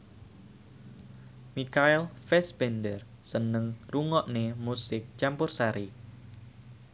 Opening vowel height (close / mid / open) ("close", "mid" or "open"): close